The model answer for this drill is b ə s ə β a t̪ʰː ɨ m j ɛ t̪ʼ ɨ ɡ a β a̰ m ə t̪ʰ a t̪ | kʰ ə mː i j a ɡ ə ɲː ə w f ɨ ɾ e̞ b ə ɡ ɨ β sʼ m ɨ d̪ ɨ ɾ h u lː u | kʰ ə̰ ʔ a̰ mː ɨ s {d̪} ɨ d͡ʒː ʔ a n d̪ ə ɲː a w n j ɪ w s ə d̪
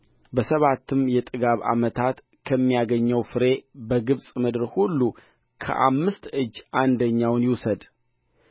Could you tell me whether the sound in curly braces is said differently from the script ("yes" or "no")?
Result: yes